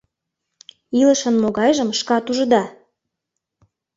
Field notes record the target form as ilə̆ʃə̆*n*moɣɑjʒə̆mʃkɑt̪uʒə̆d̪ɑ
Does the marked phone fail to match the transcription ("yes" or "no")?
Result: no